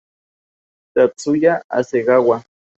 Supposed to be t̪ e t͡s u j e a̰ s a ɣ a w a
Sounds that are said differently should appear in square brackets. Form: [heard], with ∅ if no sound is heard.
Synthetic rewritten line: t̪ [a] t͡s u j [a] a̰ s [e] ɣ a w a

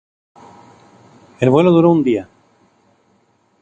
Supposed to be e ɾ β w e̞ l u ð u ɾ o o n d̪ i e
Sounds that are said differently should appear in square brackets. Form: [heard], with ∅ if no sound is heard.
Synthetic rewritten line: e [l] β w e̞ l [o] ð u ɾ o [u] n d̪ i [a]

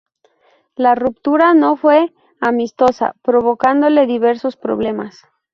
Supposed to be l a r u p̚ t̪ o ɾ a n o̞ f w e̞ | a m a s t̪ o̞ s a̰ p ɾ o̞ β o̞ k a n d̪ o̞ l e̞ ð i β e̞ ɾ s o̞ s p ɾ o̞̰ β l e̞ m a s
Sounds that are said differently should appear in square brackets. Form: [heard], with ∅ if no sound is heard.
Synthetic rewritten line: l a r u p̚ t̪ [u] ɾ a n o̞ f w e̞ | a m [i] s t̪ o̞ s a̰ p ɾ o̞ β o̞ k a n d̪ o̞ l e̞ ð i β e̞ ɾ s o̞ s p ɾ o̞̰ β l e̞ m a s

